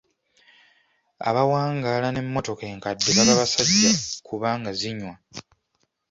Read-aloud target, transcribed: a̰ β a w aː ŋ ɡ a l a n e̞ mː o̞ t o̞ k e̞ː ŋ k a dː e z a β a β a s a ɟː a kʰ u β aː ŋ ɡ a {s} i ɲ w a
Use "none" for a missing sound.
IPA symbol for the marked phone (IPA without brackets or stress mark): z